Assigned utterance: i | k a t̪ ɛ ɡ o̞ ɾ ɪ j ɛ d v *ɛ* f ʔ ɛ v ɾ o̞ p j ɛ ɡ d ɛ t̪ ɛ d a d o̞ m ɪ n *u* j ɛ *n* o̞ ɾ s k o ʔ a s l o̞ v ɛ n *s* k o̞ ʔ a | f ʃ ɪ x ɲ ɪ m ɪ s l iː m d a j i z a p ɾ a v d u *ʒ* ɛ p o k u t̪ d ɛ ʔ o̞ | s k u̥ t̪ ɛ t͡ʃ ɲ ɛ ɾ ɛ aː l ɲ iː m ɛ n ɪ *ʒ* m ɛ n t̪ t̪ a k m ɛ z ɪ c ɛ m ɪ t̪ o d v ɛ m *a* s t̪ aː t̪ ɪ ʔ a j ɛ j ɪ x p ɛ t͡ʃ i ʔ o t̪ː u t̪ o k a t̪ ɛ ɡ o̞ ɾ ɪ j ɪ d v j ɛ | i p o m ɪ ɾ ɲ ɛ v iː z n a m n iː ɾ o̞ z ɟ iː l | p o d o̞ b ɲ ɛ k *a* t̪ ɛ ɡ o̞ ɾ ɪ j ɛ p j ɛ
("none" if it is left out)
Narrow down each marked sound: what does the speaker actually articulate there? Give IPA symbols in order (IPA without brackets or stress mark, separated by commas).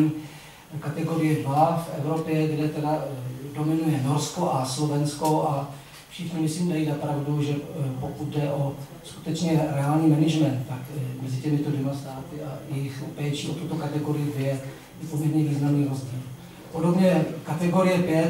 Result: a, u, n, s, ʒ, ʒ, a, a